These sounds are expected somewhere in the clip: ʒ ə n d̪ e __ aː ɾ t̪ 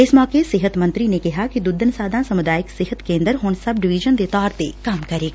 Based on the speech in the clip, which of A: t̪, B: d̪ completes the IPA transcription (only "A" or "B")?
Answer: A